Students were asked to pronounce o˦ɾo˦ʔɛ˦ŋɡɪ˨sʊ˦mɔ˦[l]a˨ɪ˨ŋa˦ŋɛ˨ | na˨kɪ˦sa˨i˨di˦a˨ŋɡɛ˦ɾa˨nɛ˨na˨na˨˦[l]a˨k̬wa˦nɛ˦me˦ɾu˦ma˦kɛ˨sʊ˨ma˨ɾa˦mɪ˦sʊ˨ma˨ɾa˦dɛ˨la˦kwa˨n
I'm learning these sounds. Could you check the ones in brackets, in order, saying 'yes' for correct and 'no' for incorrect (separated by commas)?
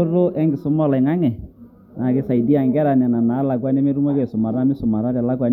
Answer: yes, yes